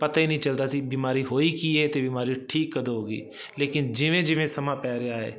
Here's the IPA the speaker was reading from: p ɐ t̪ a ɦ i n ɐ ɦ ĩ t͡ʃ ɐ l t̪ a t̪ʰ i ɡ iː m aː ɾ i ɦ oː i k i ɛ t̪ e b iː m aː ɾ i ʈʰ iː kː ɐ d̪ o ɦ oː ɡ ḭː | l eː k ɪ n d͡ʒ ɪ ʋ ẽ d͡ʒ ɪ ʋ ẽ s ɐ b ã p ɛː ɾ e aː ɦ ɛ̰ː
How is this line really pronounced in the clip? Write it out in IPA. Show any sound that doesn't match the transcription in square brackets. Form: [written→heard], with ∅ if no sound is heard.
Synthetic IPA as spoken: p ɐ t̪ a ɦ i n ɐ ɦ ĩ t͡ʃ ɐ l t̪ a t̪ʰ i [ɡ→b] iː m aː ɾ i ɦ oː i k i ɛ t̪ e b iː m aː ɾ i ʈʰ iː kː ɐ d̪ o ɦ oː ɡ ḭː | l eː k ɪ n d͡ʒ ɪ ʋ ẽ d͡ʒ ɪ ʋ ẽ s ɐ [b→m] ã p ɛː ɾ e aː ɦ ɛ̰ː